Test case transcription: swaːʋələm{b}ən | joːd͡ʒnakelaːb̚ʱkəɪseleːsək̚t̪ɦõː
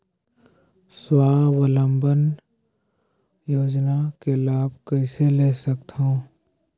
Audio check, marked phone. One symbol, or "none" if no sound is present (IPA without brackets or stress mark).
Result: b